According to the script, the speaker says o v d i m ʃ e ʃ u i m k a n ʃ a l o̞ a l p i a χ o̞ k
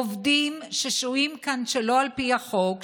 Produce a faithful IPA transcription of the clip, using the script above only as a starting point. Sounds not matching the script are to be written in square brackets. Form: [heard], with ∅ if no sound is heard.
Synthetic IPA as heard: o v d i m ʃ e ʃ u i m k a n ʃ [e] l o̞ a l p i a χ o̞ k

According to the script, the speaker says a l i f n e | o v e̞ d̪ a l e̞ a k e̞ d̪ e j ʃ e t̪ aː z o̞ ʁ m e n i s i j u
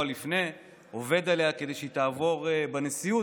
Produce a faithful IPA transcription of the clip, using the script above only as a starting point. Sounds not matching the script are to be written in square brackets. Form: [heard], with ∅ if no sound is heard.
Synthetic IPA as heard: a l i f n e | o v e̞ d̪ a l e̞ a k e̞ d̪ e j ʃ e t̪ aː [v] o̞ ʁ [b] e n [e] s i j u

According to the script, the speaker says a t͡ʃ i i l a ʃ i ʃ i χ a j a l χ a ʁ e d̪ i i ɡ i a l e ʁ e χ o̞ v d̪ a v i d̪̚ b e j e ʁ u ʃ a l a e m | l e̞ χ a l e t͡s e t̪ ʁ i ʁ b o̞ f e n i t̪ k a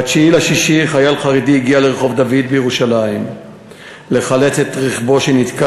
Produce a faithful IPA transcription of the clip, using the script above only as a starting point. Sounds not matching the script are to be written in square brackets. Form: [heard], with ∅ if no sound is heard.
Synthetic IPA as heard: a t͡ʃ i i l a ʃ i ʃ i χ a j a l χ a ʁ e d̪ i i ɡ i a l e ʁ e χ o̞ v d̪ a v i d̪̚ b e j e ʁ u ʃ a l a [i] m | l e̞ χ a l e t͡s e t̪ ʁ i [χ] b o̞ [ʃ] e n i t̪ k a

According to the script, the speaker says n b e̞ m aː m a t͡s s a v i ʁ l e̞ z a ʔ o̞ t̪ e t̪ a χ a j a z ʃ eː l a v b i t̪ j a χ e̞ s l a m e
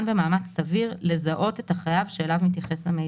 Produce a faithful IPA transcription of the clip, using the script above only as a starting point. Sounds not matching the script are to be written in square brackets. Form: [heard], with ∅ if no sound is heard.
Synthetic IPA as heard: n b e̞ m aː m a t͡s s a v i ʁ l e̞ z a ʔ o̞ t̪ e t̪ a χ a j a [v] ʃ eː l a v [m] i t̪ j a χ e̞ s l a m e

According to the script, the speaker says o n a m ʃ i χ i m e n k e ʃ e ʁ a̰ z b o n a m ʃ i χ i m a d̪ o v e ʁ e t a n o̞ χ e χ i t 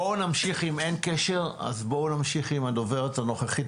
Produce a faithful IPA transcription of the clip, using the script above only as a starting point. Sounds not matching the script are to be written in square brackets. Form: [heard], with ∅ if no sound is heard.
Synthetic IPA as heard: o n a m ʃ i χ i m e n k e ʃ e ʁ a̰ z b o n a m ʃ i χ i m a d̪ o v e ʁ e t a n o̞ χ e χ i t

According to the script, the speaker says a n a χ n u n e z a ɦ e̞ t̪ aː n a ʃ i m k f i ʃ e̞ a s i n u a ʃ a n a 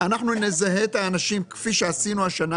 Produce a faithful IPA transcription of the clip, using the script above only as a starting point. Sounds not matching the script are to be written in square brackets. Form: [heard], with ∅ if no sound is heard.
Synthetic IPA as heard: a n a χ n u n e z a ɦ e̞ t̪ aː n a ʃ i m k f i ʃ e̞ a s i n u a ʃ a n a

